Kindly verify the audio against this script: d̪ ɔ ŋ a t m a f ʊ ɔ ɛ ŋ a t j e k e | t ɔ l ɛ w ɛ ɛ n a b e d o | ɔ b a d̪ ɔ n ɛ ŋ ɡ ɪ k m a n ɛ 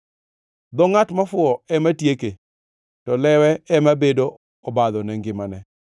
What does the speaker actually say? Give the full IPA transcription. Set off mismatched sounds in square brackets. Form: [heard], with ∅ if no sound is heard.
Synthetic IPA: d̪ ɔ ŋ a t m a f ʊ ɔ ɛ [m] a t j e k e | t ɔ l ɛ w ɛ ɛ [m] a b e d o | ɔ b a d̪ ɔ n ɛ ŋ ɡ ɪ [∅] m a n ɛ